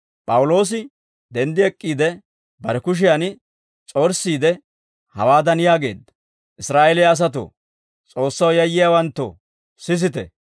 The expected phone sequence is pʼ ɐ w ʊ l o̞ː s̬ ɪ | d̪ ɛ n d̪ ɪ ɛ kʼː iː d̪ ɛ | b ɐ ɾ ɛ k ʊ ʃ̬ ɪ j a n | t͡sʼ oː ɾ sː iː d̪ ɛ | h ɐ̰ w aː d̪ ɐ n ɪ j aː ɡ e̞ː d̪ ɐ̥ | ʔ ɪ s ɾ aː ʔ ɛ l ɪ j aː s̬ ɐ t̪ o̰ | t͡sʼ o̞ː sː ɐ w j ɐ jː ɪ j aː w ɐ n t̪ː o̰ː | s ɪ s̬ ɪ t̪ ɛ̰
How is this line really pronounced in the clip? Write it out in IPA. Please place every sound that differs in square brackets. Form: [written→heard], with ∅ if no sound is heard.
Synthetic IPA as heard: pʼ ɐ w ʊ l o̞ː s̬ ɪ | d̪ ɛ n d̪ ɪ ɛ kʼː iː d̪ ɛ | b ɐ ɾ ɛ k ʊ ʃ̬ ɪ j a n | t͡sʼ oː ɾ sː iː d̪ ɛ | h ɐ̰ w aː d̪ ɐ n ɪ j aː ɡ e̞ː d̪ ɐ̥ | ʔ ɪ s ɾ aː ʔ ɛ l ɪ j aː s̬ ɐ t̪ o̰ | t͡sʼ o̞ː sː ɐ w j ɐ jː ɪ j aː w ɐ n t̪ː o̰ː | s ɪ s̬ ɪ t̪ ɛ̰